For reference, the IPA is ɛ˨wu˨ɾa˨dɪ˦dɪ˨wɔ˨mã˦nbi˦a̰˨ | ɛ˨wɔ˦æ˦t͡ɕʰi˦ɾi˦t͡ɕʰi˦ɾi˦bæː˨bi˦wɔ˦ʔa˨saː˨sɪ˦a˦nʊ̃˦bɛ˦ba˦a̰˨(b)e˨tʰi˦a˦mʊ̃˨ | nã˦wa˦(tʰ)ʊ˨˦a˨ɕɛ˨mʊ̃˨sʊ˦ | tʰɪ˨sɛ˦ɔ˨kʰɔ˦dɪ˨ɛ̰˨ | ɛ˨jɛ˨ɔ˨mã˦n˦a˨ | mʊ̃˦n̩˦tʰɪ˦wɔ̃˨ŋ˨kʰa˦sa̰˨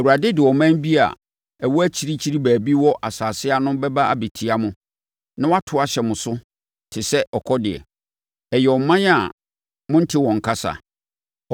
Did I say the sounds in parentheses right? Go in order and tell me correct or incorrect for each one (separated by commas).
correct, correct